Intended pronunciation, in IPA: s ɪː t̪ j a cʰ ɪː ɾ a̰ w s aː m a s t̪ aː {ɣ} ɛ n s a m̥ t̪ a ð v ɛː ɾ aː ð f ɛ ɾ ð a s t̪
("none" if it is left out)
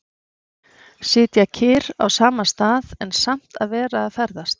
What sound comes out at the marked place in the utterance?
ð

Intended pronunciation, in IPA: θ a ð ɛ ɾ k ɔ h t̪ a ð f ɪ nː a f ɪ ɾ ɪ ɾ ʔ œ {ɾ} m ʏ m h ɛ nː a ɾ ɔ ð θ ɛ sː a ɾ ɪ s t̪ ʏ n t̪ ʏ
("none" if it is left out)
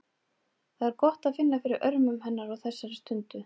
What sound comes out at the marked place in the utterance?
ɾ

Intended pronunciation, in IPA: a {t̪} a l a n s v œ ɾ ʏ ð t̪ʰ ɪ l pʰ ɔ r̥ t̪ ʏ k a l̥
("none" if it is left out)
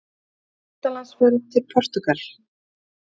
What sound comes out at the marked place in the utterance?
t̪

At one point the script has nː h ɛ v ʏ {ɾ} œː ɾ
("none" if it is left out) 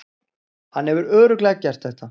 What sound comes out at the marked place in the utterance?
ɾ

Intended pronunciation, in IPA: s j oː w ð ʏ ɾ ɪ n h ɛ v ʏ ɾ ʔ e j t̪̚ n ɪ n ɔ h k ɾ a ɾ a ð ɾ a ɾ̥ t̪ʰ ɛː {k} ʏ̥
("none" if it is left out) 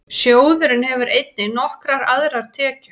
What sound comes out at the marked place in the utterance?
c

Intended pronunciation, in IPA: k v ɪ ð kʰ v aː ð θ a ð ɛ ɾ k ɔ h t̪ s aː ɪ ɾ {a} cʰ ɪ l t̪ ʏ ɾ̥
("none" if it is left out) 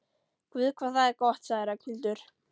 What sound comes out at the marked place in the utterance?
a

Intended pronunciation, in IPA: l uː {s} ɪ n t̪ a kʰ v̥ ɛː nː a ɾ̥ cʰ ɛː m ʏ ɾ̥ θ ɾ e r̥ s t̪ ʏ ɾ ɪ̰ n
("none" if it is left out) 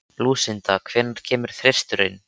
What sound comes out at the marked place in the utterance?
s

